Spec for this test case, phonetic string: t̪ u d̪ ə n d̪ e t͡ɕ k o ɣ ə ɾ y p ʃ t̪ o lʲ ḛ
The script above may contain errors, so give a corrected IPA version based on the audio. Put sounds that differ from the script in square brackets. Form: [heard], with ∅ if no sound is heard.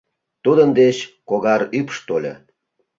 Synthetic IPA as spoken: t̪ u d̪ ə n d̪ e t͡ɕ k o ɣ [ɑ] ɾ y p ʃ t̪ o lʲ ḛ